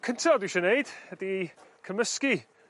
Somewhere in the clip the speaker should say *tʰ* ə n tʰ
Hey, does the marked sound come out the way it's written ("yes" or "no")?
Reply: no